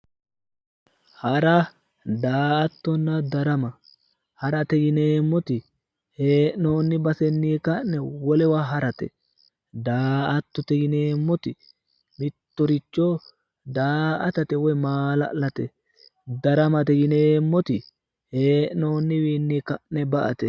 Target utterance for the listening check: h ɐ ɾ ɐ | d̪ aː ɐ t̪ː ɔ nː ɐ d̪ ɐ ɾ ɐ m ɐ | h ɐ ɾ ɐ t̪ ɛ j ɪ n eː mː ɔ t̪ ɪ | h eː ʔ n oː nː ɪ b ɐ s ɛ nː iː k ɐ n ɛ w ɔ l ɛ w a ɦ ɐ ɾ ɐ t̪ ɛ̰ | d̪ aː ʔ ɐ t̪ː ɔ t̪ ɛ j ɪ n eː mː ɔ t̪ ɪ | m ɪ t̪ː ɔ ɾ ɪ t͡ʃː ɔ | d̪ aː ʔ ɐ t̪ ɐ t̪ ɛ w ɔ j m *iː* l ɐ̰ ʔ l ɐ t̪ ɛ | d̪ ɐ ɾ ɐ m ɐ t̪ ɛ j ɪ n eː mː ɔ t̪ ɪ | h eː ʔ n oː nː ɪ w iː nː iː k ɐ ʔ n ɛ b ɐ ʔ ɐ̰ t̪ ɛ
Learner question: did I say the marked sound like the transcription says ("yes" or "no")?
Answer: no